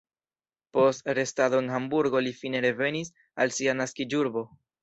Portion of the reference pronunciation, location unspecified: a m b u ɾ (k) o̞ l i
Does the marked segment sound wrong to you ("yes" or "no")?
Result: yes